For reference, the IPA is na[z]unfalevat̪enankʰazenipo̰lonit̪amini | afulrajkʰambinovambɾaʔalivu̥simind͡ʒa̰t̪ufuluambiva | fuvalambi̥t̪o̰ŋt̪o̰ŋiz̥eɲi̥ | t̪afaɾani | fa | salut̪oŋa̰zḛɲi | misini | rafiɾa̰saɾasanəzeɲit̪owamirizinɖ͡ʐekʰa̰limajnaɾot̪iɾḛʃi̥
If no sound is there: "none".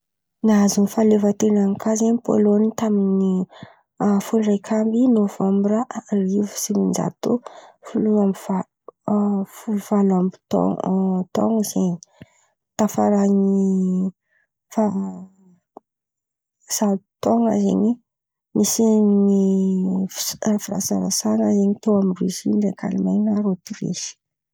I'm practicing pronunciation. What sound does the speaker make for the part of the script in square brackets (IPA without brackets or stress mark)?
z